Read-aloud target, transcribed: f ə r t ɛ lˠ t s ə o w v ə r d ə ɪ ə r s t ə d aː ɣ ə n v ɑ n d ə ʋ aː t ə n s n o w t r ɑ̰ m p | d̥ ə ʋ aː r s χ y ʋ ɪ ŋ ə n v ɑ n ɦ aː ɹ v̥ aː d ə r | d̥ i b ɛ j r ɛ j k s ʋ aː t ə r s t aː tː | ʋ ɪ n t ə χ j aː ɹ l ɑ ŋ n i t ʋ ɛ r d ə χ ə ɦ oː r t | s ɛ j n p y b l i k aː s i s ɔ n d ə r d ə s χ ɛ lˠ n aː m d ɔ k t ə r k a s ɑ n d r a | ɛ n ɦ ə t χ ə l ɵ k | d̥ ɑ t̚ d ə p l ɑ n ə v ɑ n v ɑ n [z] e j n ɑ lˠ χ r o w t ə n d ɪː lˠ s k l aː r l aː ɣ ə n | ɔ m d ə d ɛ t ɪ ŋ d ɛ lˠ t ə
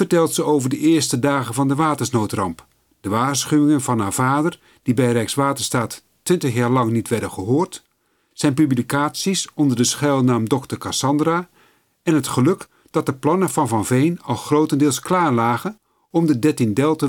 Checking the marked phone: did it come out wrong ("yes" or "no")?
yes